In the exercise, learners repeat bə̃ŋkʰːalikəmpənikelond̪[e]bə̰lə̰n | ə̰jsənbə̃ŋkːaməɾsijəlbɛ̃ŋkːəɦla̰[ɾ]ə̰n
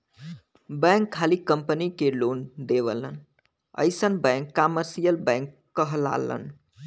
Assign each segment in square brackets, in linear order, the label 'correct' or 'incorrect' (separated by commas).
correct, incorrect